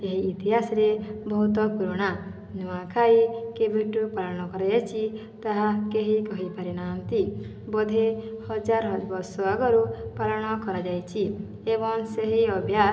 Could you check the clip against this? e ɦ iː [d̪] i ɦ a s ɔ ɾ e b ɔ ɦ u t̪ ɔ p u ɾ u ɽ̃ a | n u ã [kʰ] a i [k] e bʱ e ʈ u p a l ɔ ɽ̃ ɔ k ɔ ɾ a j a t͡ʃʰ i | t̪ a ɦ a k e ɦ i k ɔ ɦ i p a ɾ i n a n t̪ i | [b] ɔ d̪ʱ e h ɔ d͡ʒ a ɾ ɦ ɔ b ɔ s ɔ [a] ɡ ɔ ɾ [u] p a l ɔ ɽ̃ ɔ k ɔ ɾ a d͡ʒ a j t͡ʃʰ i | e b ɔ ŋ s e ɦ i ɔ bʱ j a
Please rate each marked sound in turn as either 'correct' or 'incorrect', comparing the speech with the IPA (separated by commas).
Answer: incorrect, correct, correct, correct, correct, correct